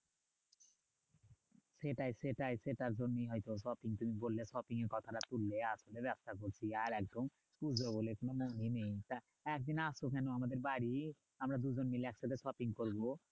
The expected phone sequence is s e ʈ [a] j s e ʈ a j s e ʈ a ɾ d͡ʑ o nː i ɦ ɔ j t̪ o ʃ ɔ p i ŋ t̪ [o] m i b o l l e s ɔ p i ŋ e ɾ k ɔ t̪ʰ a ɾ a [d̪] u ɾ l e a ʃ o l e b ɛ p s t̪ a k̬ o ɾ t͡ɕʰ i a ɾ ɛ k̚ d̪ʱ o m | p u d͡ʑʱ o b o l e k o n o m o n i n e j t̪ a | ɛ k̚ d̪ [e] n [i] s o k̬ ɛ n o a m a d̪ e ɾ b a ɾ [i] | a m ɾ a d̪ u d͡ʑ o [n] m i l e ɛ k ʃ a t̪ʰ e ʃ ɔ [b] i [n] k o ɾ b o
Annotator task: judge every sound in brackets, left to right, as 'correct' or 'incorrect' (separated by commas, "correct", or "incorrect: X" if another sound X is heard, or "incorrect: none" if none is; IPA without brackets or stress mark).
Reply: correct, incorrect: u, incorrect: t̪, incorrect: i, incorrect: a, correct, correct, incorrect: p, incorrect: ŋ